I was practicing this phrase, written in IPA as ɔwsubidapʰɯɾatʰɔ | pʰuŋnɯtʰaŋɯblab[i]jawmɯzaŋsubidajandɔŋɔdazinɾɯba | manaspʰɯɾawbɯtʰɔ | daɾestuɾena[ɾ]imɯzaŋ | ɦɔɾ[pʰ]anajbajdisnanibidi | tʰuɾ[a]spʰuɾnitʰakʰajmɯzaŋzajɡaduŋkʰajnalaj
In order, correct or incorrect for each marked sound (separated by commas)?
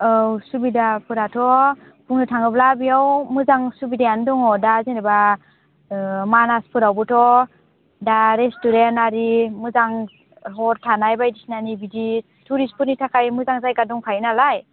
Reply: correct, correct, incorrect, incorrect